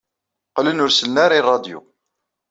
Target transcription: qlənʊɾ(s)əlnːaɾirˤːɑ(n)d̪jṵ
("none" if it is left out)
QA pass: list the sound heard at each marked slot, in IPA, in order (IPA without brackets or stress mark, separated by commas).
s, none